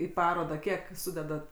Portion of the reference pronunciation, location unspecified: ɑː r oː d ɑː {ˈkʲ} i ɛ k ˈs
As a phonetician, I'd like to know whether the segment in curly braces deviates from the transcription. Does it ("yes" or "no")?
no